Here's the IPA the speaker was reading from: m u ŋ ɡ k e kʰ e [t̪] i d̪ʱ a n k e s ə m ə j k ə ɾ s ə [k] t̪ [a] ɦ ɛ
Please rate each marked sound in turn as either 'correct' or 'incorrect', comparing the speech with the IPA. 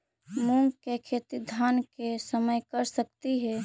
correct, correct, incorrect

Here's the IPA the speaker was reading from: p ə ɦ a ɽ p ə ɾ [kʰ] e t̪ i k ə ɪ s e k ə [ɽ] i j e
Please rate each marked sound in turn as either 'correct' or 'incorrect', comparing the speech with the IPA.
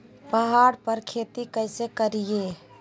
correct, incorrect

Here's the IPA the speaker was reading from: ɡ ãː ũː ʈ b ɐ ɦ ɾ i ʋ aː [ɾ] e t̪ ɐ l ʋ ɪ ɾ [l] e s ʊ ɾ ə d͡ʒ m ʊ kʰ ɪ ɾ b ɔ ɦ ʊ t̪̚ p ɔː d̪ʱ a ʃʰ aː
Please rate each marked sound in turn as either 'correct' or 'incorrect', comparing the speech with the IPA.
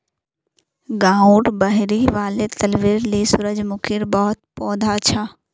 incorrect, correct

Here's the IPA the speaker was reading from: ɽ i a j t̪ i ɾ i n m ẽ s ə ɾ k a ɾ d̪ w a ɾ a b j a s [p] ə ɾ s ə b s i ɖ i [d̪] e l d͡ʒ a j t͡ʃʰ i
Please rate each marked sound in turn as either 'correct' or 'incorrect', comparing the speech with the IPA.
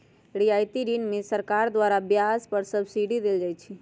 correct, correct

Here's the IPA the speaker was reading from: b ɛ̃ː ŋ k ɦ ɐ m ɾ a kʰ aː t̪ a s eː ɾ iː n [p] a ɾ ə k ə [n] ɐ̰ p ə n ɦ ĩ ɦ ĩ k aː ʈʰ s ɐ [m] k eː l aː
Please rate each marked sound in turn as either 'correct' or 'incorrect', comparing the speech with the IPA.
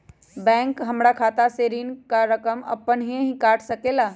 incorrect, incorrect, incorrect

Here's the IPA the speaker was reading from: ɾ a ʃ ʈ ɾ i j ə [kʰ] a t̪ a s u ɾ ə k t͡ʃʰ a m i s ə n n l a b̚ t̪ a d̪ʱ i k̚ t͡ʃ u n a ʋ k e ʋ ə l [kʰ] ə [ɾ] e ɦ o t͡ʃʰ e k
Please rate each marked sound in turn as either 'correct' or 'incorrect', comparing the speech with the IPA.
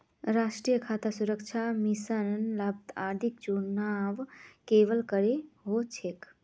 correct, incorrect, correct

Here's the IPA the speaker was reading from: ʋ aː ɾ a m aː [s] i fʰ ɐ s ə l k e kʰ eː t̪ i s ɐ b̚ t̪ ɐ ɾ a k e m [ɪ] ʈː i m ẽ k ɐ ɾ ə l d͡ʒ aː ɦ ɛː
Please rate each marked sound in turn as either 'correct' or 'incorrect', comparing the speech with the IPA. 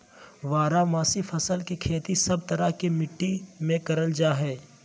correct, correct

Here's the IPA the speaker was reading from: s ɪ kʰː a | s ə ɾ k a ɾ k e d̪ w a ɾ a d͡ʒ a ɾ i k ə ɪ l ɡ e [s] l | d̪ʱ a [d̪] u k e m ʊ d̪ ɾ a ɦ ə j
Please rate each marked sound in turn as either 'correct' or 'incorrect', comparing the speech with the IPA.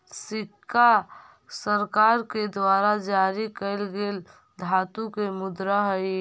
incorrect, incorrect

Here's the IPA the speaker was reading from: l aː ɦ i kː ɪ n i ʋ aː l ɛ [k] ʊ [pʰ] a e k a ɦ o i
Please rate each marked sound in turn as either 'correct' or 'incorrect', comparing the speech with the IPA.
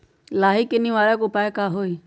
correct, incorrect

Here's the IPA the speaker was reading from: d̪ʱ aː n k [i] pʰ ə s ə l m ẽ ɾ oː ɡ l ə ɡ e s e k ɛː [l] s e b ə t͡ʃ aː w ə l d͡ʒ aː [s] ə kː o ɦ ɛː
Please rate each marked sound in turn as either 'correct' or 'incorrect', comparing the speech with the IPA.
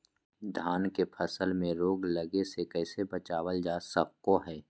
incorrect, incorrect, correct

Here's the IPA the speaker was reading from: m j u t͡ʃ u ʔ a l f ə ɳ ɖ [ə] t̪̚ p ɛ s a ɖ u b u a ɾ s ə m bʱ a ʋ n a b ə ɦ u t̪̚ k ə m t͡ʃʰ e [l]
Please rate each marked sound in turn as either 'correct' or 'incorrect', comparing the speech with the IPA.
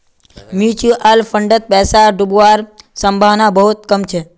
correct, incorrect

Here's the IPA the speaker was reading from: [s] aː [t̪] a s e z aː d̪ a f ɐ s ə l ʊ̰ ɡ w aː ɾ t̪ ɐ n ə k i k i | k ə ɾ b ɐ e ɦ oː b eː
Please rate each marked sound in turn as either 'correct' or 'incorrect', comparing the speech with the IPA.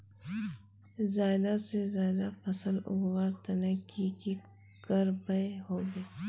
incorrect, incorrect

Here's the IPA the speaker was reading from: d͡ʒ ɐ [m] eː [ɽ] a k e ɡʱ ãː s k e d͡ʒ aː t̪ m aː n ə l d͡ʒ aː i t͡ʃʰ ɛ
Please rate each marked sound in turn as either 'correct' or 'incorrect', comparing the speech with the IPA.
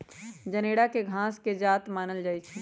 incorrect, correct

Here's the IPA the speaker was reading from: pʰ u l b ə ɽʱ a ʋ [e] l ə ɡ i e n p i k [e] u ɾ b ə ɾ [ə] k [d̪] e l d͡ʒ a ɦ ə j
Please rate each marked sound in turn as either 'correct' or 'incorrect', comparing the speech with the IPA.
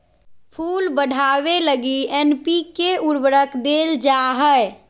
correct, correct, correct, correct

